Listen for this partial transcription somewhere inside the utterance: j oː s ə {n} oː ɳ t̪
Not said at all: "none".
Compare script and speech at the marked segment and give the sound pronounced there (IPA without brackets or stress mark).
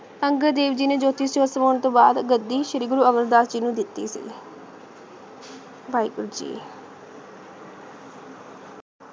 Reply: m